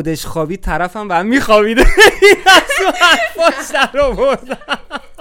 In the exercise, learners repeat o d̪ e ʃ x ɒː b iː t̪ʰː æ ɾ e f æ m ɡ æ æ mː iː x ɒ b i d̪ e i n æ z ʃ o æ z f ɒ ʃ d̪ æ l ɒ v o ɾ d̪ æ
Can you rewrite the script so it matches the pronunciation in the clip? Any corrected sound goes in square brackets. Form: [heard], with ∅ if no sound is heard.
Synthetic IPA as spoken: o d̪ e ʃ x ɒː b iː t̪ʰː æ ɾ [æ] f æ m [b] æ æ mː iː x ɒ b i d̪ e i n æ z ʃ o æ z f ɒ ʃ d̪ æ [ɾ] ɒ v o ɾ d̪ æ